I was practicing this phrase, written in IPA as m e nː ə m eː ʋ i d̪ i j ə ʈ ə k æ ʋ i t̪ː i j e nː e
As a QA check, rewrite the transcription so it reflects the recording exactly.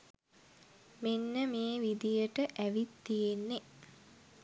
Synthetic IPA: m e nː ə m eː ʋ i d̪ i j ə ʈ ə ʔ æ ʋ i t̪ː i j e nː e